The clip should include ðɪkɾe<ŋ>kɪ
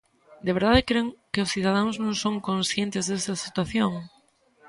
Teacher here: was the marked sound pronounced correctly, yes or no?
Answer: yes